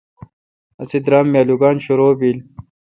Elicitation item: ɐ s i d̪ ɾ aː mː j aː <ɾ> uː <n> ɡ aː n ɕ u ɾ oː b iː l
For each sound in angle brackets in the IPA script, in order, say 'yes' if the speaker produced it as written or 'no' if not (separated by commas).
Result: no, no